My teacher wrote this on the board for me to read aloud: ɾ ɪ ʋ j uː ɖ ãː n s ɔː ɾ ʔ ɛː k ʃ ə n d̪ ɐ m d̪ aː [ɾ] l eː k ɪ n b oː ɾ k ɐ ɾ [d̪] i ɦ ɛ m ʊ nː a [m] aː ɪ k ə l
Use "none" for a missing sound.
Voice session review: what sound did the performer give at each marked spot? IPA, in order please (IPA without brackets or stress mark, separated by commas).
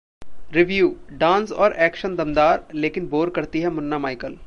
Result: ɾ, t̪, m